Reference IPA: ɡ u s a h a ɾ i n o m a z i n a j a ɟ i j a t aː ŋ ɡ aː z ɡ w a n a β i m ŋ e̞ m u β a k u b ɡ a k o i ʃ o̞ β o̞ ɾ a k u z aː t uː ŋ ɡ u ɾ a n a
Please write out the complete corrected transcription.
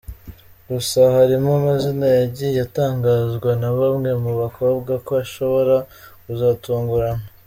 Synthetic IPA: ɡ u s a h a ɾ i m o m a z i n a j a ɟ i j a t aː ŋ ɡ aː z ɡ w a n a β a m ŋ e̞ m u β a k o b ɡ a k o a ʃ o̞ β o̞ ɾ a k u z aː t uː ŋ ɡ u ɾ a n a